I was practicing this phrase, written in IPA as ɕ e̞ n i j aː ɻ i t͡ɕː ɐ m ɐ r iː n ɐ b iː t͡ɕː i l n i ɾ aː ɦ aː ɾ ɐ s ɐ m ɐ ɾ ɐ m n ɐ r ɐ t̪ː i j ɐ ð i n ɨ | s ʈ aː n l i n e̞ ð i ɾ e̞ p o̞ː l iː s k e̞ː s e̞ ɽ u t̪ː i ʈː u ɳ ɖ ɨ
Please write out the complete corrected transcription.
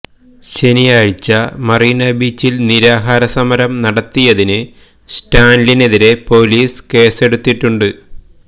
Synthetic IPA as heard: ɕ e̞ n i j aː ɻ i t͡ɕː ɐ m ɐ r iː n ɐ b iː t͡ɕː i l n i ɾ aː ɦ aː ɾ ɐ s ɐ m ɐ ɾ ɐ m n ɐ ɽ ɐ t̪ː i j ɐ ð i n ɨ | s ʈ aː n l i n e̞ ð i ɾ e̞ p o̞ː l iː s k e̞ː s e̞ ɽ u t̪ː i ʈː u ɳ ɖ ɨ